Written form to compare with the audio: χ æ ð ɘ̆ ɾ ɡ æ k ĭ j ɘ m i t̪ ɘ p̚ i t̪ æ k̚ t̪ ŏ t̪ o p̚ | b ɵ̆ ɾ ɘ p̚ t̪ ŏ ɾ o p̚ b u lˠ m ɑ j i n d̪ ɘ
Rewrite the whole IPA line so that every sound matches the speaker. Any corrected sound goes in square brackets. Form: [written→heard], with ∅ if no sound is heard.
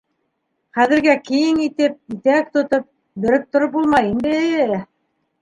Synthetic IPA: χ æ ð ɘ̆ ɾ ɡ æ k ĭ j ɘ [m→ŋ] i t̪ ɘ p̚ i t̪ æ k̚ t̪ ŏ t̪ o p̚ | b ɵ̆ ɾ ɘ p̚ t̪ ŏ ɾ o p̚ b u lˠ m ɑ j i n d̪ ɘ

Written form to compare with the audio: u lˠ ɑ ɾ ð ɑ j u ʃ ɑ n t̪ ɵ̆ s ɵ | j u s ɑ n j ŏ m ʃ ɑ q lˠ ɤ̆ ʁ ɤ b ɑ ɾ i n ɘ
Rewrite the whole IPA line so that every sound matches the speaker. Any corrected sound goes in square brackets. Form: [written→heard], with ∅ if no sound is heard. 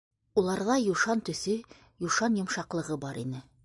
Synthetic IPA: u lˠ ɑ ɾ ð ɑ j u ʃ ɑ n t̪ ɵ̆ s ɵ | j u [s→ʃ] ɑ n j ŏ m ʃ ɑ q lˠ ɤ̆ ʁ ɤ b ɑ ɾ i n ɘ

